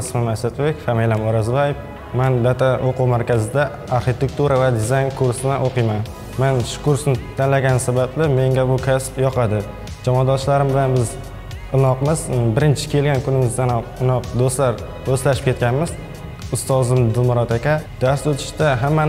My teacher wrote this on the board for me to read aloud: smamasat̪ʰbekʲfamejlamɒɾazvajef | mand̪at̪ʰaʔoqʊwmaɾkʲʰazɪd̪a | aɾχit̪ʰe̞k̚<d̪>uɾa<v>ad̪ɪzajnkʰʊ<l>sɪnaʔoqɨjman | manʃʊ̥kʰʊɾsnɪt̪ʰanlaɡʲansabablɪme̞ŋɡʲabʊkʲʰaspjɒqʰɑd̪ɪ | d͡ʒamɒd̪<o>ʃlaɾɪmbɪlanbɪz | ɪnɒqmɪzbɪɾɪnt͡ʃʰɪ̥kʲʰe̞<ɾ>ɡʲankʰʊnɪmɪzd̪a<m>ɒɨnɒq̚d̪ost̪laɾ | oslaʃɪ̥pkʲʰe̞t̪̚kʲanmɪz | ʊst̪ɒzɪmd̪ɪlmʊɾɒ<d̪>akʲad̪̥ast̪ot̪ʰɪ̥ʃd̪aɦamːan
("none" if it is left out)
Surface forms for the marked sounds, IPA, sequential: t̪, v, ɾ, ɒ, l, n, t̪

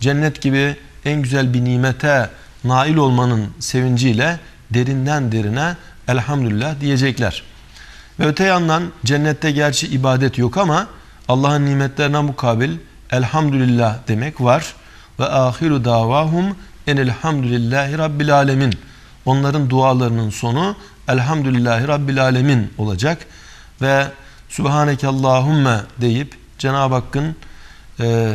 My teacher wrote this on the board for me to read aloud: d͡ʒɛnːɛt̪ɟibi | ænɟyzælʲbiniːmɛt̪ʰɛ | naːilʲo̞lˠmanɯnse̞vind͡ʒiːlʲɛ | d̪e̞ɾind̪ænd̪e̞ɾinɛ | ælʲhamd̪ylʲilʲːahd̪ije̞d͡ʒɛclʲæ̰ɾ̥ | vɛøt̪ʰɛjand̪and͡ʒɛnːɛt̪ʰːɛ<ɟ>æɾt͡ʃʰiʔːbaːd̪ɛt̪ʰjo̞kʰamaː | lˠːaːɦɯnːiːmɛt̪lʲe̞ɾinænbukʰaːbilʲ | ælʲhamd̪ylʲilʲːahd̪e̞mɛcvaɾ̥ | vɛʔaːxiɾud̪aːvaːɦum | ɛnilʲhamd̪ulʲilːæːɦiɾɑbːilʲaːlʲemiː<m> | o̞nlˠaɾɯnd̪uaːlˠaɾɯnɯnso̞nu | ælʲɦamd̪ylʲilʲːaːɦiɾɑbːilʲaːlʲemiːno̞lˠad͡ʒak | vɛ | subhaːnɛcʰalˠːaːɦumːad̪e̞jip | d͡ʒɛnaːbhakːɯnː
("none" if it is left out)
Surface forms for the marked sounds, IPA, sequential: ɟ, n

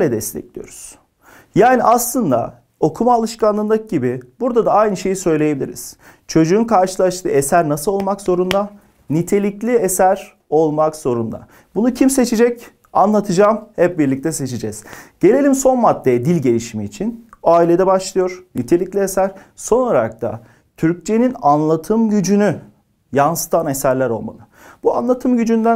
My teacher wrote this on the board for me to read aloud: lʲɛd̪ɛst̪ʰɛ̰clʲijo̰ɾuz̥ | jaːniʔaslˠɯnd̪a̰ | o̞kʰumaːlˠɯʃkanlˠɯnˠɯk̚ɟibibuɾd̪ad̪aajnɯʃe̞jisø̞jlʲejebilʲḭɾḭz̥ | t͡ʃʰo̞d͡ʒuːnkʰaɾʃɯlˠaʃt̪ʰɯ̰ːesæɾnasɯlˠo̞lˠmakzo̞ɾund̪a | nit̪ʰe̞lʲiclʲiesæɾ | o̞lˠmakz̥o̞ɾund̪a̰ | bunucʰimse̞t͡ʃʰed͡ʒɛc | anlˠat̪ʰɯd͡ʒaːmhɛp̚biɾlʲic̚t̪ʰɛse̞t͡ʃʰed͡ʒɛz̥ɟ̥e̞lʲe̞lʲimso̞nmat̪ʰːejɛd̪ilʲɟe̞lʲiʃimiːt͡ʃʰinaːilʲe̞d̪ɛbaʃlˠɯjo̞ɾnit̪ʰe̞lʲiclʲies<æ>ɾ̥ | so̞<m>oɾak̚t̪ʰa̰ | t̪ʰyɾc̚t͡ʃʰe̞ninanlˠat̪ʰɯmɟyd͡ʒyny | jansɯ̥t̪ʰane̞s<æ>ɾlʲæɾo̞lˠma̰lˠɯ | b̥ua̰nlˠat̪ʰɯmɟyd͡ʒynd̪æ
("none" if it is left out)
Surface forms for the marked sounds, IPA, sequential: æ, n, æ

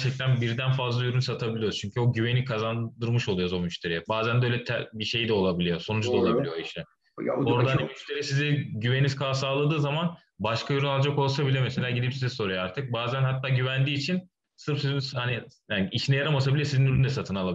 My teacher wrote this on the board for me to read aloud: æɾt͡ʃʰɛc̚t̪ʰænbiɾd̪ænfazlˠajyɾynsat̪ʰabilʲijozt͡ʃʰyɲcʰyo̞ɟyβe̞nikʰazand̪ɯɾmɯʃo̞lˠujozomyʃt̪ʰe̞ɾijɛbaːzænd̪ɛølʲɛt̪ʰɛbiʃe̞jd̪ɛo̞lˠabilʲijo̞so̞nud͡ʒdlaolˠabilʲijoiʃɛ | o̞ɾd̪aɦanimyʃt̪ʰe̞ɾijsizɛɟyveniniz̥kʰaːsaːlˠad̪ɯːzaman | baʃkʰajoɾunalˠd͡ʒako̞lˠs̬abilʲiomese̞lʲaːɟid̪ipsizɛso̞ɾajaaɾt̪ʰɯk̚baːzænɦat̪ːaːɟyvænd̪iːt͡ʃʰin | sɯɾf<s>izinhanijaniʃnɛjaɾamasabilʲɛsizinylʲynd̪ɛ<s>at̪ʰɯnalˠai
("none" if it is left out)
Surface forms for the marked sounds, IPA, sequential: s, s

